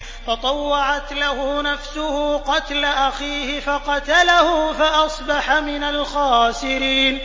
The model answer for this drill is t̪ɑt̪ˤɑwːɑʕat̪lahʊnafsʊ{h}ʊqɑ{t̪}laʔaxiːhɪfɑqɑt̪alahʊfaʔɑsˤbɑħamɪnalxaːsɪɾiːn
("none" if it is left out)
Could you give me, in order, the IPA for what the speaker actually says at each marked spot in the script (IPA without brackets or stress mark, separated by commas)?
h, t̪